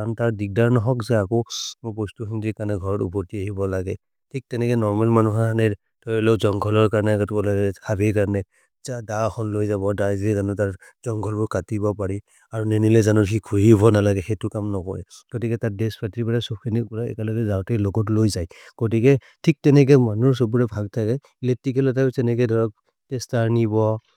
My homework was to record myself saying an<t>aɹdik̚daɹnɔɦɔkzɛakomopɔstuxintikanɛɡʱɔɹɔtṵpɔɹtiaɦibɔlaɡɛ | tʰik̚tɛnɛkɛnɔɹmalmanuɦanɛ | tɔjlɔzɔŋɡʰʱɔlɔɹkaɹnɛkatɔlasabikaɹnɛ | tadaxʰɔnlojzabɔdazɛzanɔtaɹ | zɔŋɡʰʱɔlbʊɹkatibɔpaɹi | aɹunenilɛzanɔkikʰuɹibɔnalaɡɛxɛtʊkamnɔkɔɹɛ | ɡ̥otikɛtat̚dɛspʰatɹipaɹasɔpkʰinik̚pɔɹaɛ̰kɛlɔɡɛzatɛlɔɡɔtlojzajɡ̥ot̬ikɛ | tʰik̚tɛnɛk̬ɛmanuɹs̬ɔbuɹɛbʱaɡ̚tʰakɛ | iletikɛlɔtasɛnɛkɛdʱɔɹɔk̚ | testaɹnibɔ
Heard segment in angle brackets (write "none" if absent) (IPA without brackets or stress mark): t